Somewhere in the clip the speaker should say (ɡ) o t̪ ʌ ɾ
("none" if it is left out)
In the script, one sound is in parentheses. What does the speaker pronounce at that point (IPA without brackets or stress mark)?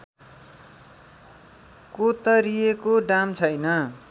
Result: k